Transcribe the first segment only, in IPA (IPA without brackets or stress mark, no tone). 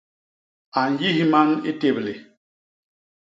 a